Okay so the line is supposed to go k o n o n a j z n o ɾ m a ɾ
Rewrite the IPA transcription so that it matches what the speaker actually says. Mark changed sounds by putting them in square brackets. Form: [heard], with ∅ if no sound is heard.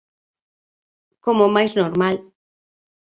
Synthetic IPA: k o [m] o [m] a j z n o ɾ m a [l]